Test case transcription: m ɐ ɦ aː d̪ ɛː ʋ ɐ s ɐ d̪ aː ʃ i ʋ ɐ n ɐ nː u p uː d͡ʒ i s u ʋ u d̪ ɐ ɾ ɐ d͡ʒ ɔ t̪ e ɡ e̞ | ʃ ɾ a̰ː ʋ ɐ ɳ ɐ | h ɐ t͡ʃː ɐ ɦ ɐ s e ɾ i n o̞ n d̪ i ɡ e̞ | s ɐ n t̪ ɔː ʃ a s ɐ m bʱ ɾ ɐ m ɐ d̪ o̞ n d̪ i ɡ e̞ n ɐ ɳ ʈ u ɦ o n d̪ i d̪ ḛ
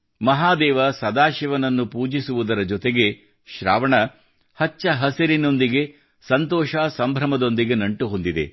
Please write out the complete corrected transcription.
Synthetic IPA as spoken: m ɐ ɦ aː d̪ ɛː ʋ ɐ s ɐ d̪ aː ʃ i ʋ ɐ n ɐ nː u p uː d͡ʒ i s u ʋ u d̪ ɐ ɾ ɐ d͡ʒ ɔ t̪ e ɡ e̞ | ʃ ɾ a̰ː ʋ ɐ ɳ ɐ | h ɐ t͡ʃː ɐ ɦ ɐ s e ɾ i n o̞ n d̪ i ɡ e̞ | s ɐ n t̪ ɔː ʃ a s ɐ m bʱ ɾ ɐ m ɐ d̪ o̞ n d̪ i ɡ e̞ n ɐ ɳ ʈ u ɦ o n d̪ i d̪ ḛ